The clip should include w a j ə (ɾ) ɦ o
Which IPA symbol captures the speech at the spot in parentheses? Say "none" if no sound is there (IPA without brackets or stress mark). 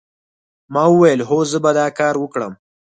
l